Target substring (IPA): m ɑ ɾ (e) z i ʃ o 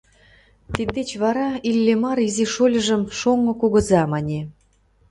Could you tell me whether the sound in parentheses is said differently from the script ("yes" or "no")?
yes